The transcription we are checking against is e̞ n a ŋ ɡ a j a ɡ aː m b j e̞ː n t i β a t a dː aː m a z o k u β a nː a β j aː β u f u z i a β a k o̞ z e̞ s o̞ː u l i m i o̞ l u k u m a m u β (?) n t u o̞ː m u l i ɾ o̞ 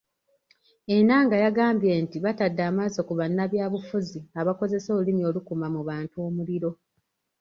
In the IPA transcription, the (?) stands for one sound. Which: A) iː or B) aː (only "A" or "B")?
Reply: B